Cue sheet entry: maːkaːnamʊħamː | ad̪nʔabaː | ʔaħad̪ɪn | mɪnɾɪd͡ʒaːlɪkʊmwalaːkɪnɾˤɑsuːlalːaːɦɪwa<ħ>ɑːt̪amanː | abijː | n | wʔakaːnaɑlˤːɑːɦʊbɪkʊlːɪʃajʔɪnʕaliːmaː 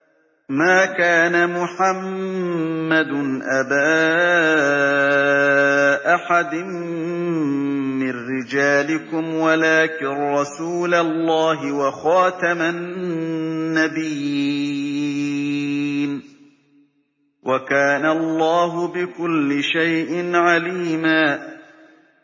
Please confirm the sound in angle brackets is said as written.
no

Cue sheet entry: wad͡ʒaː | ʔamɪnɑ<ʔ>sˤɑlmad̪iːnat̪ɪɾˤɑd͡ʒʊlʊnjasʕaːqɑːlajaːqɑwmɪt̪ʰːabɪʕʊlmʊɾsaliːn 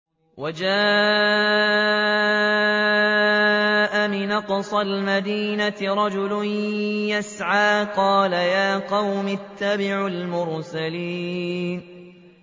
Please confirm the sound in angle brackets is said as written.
no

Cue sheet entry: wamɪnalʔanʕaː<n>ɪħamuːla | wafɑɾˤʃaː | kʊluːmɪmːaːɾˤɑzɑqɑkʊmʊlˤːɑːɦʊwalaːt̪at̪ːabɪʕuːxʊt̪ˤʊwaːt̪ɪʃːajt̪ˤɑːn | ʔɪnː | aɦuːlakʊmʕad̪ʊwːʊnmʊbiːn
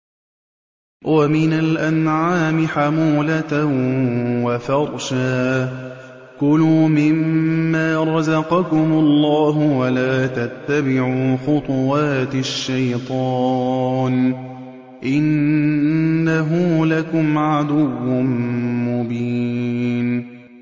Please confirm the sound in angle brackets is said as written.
no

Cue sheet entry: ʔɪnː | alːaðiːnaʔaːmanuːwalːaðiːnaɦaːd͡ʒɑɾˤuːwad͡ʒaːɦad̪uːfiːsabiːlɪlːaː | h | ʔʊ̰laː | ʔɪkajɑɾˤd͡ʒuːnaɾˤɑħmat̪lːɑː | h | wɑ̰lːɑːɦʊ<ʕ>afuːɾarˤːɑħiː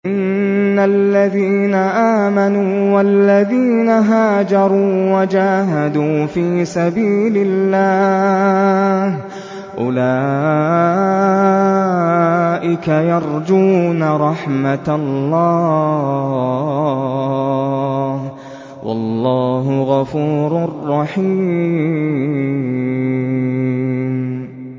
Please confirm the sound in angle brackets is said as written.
no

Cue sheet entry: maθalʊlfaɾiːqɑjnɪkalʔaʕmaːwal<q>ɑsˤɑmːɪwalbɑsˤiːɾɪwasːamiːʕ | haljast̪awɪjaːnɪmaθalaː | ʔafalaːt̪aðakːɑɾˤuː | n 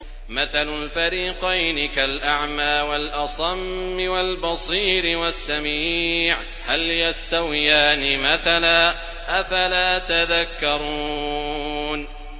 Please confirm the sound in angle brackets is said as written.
no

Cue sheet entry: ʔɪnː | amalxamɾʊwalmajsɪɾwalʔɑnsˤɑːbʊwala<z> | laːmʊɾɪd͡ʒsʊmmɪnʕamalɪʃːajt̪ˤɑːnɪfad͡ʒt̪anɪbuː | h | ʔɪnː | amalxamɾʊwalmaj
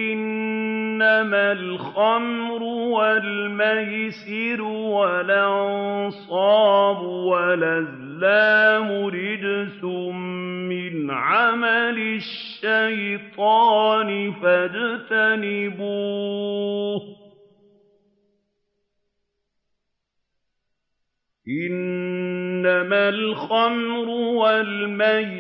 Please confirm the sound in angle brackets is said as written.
yes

